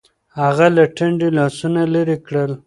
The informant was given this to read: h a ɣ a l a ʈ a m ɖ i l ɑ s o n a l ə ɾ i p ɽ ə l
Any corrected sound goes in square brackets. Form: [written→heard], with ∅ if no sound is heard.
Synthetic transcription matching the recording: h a ɣ a l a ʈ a [m→ɳ] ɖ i l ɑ s [o→u] n a l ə ɾ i [p→k] ɽ ə l